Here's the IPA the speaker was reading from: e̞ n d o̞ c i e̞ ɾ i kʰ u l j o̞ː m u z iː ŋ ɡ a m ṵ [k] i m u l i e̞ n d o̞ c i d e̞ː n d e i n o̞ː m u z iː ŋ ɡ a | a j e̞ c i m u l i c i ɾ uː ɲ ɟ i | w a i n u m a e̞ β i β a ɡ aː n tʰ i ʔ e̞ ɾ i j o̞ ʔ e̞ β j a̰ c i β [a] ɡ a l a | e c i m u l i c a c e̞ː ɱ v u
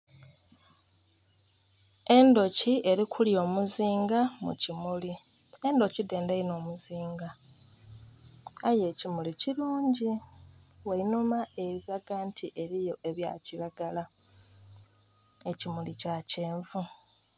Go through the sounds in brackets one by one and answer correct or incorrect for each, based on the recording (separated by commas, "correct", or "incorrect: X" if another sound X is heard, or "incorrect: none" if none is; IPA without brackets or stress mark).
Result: incorrect: c, correct